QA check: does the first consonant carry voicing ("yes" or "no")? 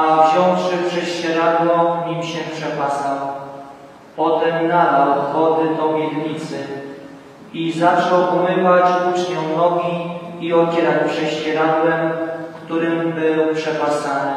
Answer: yes